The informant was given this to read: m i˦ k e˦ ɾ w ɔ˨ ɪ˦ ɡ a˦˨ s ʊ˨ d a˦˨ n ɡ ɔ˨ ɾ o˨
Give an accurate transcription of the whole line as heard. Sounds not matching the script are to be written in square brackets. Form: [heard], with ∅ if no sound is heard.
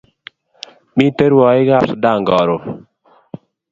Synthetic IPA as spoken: m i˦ [t] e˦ ɾ w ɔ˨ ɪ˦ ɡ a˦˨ s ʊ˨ d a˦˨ [ŋ] ɡ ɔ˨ ɾ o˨